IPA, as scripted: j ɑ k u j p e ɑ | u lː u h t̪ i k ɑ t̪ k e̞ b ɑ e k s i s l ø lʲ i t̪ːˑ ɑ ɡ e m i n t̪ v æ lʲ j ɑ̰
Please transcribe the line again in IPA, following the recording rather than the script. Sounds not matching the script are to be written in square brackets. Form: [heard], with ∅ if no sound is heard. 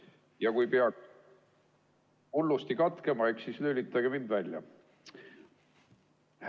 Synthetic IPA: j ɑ k u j p e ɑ | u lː u [s] t̪ i k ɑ t̪ k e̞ [m] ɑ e k s i s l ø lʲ i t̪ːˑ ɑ ɡ e m i n [d̪] v æ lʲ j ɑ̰